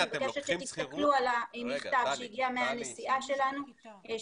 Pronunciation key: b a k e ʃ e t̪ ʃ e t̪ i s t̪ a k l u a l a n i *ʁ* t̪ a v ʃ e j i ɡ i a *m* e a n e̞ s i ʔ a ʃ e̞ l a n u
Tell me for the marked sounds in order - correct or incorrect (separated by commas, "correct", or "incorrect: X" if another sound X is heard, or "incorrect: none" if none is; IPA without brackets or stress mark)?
incorrect: χ, correct